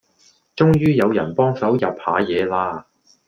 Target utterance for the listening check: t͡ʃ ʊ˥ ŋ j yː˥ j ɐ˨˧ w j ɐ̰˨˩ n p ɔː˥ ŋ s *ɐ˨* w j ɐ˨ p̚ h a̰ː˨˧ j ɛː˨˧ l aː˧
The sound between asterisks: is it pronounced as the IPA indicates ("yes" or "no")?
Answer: no